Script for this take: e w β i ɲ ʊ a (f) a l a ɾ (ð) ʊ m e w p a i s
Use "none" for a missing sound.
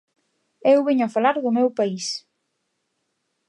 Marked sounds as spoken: f, ð

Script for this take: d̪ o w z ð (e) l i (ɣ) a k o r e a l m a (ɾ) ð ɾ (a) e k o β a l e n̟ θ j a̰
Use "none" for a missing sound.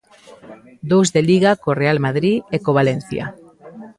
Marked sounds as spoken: e, ɣ, none, i

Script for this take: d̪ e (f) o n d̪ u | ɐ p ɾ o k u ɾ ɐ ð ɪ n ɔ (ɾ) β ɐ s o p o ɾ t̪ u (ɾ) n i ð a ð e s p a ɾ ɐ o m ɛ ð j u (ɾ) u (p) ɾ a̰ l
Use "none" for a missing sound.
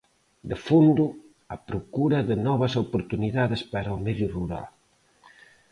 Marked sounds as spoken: f, none, none, r, none

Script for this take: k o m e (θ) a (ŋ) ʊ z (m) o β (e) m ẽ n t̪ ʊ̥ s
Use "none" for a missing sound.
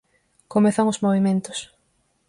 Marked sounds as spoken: θ, ŋ, m, i

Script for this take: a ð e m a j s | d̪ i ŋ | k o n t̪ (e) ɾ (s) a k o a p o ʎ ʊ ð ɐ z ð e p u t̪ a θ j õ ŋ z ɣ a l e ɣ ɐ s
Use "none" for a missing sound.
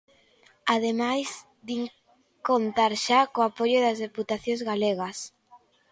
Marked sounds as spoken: a, ʃ

